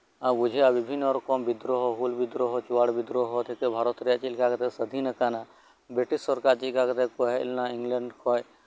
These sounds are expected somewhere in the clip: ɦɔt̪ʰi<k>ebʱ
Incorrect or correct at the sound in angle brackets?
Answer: correct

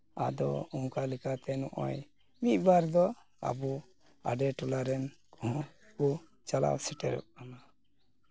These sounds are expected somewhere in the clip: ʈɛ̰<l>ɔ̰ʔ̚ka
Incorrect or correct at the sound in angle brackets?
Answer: incorrect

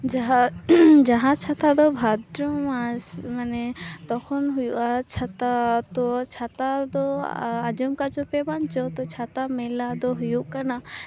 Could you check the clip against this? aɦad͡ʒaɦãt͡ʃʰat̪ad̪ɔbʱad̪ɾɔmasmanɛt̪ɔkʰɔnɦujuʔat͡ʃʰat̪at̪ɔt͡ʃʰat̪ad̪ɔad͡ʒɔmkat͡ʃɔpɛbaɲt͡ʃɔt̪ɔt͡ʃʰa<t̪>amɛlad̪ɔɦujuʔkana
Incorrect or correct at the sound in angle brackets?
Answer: correct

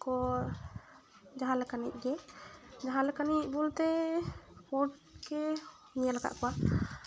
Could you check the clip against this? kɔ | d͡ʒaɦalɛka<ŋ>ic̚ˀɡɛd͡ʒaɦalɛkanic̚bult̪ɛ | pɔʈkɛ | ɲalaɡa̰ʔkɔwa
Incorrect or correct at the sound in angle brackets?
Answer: incorrect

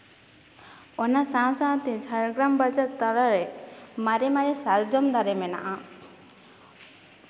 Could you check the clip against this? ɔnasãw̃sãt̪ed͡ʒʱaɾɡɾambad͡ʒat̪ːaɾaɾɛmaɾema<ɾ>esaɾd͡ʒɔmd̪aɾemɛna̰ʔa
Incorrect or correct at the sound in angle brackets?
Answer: correct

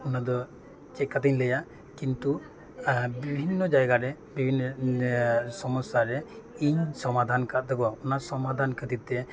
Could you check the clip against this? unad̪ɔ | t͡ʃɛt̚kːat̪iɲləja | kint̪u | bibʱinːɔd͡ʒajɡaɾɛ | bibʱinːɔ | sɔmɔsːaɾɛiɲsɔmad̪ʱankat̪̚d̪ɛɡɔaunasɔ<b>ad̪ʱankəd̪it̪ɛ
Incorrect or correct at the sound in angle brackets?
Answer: incorrect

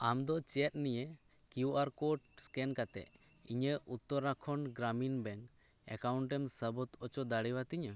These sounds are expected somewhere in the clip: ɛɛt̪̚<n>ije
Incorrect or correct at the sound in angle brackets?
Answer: correct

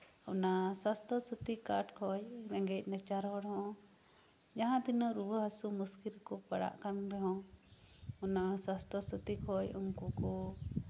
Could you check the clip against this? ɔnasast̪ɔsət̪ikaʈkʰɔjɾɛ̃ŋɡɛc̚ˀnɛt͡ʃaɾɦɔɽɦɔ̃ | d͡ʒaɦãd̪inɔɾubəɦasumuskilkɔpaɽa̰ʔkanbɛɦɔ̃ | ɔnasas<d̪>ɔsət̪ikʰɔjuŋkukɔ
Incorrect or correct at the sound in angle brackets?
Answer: incorrect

